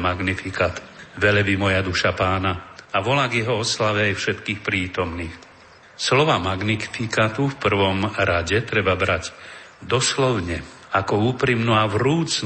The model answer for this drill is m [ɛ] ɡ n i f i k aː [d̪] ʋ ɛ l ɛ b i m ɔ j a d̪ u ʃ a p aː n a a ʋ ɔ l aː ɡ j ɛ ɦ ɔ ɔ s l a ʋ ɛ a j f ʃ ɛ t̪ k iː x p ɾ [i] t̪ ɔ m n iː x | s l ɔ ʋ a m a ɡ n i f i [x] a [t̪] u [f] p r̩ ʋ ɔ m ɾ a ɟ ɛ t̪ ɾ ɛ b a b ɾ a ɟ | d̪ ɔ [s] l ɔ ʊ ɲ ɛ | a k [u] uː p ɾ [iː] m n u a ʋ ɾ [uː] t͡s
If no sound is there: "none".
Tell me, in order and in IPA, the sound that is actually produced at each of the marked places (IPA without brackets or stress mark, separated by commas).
a, t̪, iː, k, t̪, f, s, ɔ, i, uː